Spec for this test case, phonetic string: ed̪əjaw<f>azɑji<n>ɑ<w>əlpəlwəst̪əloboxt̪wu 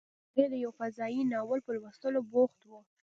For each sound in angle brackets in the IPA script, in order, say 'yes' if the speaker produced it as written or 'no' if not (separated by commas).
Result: yes, yes, yes